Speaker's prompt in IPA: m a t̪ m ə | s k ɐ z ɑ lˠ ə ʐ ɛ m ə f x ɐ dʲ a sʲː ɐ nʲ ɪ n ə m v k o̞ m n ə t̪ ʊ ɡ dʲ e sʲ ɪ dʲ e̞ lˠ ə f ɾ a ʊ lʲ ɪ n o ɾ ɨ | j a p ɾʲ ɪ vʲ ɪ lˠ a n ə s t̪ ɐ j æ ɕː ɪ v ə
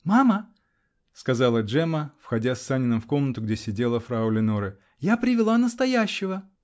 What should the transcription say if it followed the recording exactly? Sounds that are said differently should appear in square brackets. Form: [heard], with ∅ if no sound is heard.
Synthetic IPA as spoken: m a [∅] m ə | s k ɐ z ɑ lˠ ə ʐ ɛ m ə f x ɐ dʲ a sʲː [a] nʲ ɪ n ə m [f] k o̞ m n ə t̪ ʊ ɡ dʲ e sʲ ɪ dʲ e̞ lˠ ə f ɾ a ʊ lʲ ɪ n o ɾ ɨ | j a p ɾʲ ɪ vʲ ɪ lˠ a n ə s t̪ ɐ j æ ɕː ɪ v ə